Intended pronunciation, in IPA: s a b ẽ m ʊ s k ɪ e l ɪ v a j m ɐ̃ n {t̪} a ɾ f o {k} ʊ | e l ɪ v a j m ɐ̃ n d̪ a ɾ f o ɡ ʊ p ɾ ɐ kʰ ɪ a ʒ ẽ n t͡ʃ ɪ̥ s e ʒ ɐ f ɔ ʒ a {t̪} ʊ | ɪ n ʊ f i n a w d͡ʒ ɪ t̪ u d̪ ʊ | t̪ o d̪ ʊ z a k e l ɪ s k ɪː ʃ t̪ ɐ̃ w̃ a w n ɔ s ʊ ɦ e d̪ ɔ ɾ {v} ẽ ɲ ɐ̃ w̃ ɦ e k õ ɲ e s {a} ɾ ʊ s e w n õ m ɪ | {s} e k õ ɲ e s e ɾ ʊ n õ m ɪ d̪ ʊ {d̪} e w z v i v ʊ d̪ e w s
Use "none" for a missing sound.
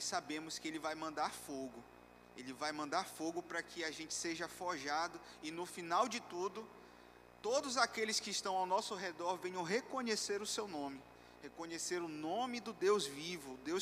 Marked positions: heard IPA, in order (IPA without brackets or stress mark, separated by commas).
d̪, ɡ, d̪, v, e, h, d̪